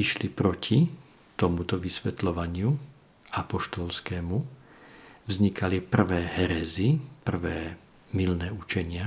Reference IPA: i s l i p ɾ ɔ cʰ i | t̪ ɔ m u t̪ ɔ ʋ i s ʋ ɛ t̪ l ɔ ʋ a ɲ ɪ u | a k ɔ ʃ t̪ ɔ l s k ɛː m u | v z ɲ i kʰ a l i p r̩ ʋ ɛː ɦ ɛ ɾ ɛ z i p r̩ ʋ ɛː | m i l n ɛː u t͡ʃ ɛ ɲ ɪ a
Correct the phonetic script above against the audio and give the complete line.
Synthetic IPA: i ʃ l i p ɾ ɔ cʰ i | t̪ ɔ m u t̪ ɔ ʋ i s ʋ ɛ t̪ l ɔ ʋ a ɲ ɪ u | a p ɔ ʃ t̪ ɔ l s k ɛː m u | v z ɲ i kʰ a l i p r̩ ʋ ɛː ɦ ɛ ɾ ɛ z i p r̩ ʋ ɛː | m i l n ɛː u t͡ʃ ɛ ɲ ɪ a